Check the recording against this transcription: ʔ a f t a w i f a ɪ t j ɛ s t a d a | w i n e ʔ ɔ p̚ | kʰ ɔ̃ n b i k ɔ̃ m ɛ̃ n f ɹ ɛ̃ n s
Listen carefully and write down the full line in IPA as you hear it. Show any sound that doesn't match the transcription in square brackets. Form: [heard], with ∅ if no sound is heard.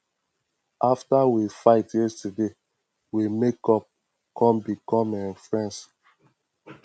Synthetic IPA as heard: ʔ a f t a w i f a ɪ t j ɛ s t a d [e] | w i [m] e [k] ɔ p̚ | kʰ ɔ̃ [m] b i k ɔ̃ m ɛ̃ n f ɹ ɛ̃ n s